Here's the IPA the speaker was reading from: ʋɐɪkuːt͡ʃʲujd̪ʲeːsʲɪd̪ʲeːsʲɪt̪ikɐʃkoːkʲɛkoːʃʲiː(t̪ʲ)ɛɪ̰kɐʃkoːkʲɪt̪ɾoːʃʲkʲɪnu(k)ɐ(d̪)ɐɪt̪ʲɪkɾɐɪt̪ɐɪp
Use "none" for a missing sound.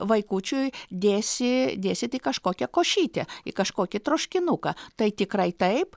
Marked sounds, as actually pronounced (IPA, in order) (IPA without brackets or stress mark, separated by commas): t̪ʲ, k, t̪